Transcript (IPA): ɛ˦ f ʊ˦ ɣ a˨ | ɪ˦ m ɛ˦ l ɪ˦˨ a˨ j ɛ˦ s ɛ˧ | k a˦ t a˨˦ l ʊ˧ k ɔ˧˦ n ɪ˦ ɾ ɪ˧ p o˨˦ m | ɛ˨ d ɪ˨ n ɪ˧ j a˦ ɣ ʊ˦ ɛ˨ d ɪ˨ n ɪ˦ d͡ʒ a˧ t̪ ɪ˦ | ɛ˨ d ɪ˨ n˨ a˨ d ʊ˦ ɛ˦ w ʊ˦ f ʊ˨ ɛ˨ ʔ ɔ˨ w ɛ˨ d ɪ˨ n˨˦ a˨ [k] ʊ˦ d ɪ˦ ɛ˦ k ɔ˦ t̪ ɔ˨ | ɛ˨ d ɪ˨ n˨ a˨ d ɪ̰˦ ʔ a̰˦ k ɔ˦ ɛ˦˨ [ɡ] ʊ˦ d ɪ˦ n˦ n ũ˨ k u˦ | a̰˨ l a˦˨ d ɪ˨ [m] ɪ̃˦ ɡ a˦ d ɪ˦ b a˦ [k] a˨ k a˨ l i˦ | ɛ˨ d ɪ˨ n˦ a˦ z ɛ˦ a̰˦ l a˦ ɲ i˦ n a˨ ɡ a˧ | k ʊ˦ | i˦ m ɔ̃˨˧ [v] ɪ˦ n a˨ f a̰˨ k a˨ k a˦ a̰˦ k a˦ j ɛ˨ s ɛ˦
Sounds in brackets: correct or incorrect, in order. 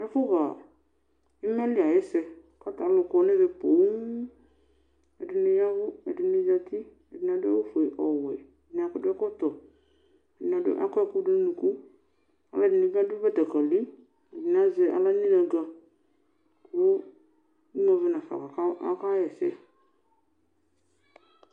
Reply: correct, incorrect, incorrect, incorrect, correct

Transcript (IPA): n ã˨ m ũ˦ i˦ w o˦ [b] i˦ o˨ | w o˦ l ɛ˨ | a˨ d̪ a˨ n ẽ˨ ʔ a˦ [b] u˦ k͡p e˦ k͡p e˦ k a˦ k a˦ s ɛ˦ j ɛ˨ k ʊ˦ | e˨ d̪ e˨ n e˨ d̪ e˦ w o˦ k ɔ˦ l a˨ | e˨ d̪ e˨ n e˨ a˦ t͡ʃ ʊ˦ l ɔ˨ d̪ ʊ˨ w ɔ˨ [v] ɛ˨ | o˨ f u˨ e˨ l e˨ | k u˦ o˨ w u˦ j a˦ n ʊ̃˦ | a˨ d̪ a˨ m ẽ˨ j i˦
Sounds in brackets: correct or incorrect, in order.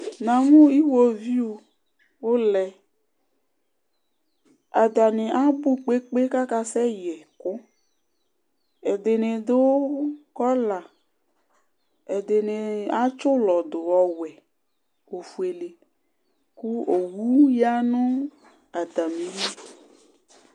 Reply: incorrect, correct, incorrect

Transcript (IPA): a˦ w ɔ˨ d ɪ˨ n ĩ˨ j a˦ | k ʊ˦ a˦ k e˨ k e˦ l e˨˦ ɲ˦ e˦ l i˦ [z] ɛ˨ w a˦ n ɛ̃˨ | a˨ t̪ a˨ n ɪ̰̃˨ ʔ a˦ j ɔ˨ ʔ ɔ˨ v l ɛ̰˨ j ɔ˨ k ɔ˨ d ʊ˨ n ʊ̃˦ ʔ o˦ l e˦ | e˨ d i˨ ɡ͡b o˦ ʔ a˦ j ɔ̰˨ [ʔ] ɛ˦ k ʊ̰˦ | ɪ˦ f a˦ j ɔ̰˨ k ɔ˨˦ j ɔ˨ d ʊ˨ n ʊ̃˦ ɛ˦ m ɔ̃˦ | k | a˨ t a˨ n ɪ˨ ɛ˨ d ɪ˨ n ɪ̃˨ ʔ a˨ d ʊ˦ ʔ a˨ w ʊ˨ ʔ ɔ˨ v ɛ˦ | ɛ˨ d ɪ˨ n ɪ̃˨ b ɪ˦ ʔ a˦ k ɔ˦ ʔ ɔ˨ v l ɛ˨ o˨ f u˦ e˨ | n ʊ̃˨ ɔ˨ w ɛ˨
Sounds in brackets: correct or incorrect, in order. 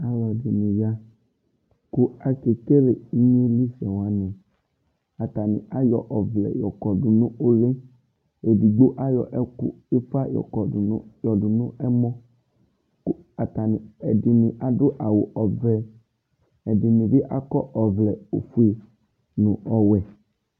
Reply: incorrect, correct

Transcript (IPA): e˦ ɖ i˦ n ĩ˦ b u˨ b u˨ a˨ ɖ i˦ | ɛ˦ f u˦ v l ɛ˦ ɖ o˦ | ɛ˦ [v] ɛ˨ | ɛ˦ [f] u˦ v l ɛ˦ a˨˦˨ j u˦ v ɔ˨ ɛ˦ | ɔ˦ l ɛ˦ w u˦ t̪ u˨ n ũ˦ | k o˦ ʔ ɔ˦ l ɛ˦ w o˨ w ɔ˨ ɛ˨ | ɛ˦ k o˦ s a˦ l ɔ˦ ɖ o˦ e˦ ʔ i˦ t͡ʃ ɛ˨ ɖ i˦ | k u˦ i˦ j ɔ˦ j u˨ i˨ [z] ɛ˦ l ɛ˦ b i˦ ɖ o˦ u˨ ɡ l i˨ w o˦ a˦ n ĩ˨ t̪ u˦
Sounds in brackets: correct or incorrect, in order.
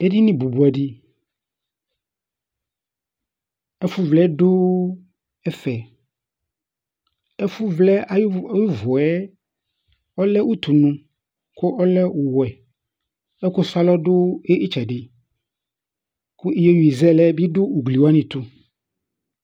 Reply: incorrect, correct, correct

